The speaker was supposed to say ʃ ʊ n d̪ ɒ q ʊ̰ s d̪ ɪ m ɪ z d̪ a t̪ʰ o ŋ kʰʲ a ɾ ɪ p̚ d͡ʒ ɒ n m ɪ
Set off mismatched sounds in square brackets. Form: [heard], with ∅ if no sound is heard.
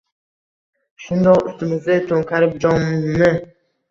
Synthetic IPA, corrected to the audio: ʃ ʊ n d̪ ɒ q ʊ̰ s [t̪] ɪ m ɪ z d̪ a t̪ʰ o ŋ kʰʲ a ɾ ɪ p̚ d͡ʒ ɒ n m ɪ